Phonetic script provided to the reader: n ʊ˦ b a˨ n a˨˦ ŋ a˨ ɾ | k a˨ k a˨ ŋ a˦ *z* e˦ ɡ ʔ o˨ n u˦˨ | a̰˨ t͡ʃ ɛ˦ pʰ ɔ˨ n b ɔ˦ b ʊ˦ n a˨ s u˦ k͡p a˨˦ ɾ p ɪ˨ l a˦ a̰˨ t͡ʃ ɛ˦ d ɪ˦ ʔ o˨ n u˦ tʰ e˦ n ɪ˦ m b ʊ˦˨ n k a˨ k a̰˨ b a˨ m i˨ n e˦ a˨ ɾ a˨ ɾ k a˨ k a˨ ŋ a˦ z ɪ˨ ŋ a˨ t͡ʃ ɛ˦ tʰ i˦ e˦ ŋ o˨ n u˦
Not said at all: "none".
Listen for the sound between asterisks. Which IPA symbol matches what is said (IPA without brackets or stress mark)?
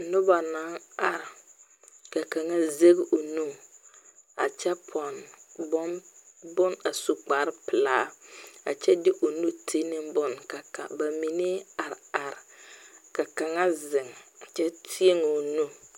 z